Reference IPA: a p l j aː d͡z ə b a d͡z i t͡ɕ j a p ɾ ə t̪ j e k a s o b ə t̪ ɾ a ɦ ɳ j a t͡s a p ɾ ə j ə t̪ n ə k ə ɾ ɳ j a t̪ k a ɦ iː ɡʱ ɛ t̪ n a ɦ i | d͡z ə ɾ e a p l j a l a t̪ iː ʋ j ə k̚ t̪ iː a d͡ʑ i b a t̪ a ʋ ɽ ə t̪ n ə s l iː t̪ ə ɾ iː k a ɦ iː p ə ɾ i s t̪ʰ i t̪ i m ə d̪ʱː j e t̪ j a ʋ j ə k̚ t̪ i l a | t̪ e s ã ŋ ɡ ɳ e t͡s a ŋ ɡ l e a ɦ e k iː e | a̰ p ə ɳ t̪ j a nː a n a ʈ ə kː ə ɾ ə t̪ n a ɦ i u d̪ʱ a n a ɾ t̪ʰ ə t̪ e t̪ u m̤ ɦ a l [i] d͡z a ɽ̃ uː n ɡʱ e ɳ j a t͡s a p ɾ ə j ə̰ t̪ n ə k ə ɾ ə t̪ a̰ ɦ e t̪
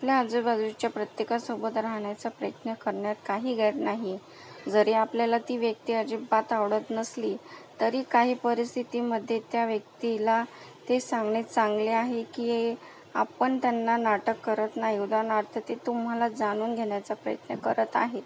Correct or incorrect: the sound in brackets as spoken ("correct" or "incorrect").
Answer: incorrect